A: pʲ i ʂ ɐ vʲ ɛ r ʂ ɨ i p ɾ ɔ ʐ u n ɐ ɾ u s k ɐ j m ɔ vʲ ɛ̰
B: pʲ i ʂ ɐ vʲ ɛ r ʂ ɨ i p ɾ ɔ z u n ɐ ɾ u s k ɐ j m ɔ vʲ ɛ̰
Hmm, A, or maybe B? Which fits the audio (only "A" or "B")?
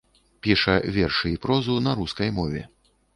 B